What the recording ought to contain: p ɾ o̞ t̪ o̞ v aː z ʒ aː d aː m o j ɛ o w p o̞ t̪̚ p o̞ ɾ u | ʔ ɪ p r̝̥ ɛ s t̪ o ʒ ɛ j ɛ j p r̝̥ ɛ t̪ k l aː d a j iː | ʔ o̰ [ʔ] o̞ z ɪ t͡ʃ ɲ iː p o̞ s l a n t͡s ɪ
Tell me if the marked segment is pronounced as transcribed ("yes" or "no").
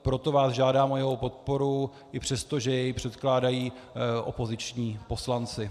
no